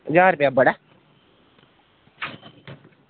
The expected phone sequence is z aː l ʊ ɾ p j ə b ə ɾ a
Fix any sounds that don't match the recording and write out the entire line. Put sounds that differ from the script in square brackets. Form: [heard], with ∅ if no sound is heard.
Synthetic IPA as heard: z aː [ɾ] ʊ [∅] p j [a] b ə [ɽ] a